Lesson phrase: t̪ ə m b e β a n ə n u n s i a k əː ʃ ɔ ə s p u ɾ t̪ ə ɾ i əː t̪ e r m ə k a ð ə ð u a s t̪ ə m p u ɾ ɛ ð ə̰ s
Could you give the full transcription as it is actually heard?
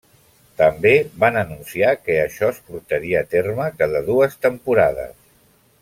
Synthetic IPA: t̪ ə m b e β a n ə n u n s i a k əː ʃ ɔ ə s p u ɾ t̪ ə ɾ i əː t̪ e r m ə k a ð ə ð u ə s t̪ ə m p u ɾ a ð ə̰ s

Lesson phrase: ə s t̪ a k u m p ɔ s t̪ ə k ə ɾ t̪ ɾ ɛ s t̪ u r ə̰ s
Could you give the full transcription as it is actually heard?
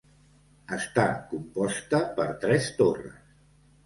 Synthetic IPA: ə s t̪ a k u m p ɔ s t̪ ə p ə ɾ t̪ ɾ ɛ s t̪ o r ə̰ s

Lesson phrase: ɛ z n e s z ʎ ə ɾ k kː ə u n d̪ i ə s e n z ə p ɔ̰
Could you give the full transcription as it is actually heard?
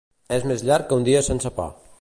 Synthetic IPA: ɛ z m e z ʎ a ɾ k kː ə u n d̪ i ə s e n s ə p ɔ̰

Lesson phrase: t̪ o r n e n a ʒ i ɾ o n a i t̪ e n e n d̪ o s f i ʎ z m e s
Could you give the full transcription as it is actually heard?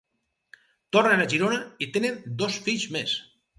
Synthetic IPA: t̪ o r n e n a ʒ i ɾ o n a i t̪ e n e n d̪ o s f i ʎ z m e s

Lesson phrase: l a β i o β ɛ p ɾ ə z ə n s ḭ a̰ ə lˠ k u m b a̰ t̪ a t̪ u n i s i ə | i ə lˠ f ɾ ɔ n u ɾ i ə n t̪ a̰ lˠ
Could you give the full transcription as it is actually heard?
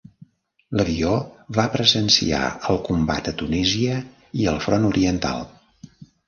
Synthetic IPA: l ə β i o β a p ɾ ə z ə n s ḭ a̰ ə lˠ k u m b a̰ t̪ ə t̪ u n i z i ə | i ə lˠ f ɾ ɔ n u ɾ i ə n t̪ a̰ lˠ

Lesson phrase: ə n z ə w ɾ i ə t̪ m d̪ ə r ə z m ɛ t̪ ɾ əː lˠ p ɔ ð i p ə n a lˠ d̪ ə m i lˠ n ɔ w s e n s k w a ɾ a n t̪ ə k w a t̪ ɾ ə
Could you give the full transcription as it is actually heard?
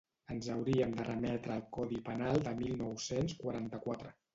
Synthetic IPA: ə n z ə w ɾ i ə m d̪ ə r ə m ɛ t̪ ɾ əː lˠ k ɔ ð i p ə n a lˠ d̪ ə m i lˠ n ɔ w s e n s k w a ɾ a n t̪ ə k w a t̪ ɾ ə

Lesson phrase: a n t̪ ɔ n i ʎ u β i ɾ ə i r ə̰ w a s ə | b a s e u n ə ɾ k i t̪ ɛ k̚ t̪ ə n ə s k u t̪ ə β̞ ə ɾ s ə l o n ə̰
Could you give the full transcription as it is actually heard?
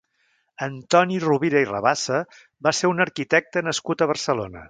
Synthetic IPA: ə n t̪ ɔ n i r u β i ɾ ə i r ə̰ β a s ə | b a s e u n ə ɾ k i t̪ ɛ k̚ t̪ ə n ə s k u t̪ ə β̞ ə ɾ s ə l o n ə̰

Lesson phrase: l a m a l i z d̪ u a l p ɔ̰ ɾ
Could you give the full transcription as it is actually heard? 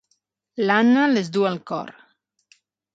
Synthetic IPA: l a n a l e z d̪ u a l k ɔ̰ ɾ

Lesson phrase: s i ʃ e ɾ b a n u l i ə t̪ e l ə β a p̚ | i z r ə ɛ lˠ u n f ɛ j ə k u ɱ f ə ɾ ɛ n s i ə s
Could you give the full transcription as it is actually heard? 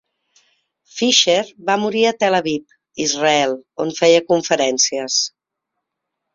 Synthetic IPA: f i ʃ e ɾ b a m u ɾ i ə t̪ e l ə β i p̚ | i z r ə ɛ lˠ o n f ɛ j ə k u ɱ f ə ɾ ɛ n s i ə s

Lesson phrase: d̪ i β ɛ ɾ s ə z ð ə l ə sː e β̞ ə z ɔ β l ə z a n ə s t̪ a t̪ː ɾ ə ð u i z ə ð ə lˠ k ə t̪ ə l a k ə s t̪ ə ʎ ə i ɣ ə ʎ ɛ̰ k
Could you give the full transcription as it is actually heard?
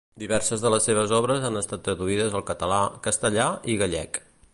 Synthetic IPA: d̪ i β ɛ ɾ s ə z ð ə l ə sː e β̞ ə z ɔ β ɾ ə z a n ə s t̪ a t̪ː ɾ ə ð u i ð ə z ə lˠ k ə t̪ ə l a k ə s t̪ ə ʎ a i ɣ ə ʎ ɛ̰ k

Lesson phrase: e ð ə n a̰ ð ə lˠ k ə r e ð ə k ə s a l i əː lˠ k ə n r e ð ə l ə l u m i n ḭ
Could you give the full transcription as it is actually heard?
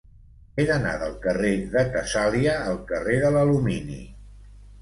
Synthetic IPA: e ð ə n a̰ ð ə lˠ k ə r e ð ə k ə s a l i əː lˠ k ə r e ð ə l ə l u m i n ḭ

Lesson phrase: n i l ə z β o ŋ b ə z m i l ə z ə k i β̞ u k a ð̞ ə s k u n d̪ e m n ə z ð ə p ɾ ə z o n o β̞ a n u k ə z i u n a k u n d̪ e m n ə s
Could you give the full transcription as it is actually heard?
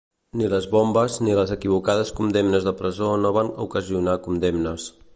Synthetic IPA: n i l ə z β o m b ə z n i l ə z ə k i β̞ u k a ð̞ ə s k u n d̪ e m n ə z ð ə p ɾ ə z o n o β̞ a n u k ə z i u n a k u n d̪ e m n ə s

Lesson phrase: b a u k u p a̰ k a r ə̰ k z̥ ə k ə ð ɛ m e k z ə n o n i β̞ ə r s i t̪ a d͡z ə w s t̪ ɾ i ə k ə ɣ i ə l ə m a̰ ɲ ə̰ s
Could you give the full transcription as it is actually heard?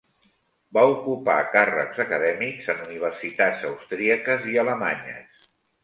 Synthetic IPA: b a u k u p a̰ k a r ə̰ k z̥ ə k ə ð ɛ m i k z ə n u n i β̞ ə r s i t̪ a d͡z ə w s t̪ ɾ i ə k ə z i ə l ə m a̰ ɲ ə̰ s

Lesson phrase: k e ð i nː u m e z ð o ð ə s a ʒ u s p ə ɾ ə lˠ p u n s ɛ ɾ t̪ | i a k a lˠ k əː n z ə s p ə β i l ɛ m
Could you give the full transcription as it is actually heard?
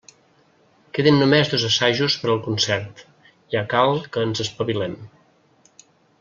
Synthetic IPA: k e ð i nː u m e z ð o z ə s a ʒ u s p ə ɾ ə lˠ k u n s ɛ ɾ t̪ | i a k a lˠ k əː n z ə s p ə β i l ɛ m

